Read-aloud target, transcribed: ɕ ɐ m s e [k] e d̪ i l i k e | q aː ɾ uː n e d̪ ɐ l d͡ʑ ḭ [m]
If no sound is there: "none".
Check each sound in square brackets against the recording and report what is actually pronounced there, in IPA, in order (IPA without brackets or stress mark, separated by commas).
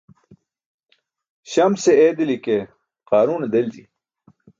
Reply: none, none